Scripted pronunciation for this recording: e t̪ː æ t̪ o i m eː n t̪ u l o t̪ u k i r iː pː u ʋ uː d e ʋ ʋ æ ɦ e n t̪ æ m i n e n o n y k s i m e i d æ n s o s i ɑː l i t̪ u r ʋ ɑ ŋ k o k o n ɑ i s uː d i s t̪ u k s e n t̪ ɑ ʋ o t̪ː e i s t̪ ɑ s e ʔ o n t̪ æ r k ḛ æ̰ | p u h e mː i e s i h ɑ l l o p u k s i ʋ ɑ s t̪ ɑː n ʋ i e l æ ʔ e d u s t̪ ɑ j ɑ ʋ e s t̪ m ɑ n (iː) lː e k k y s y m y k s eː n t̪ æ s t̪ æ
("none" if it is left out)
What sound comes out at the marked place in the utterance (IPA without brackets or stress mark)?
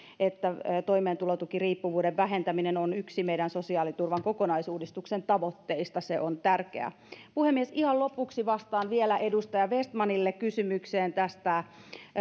i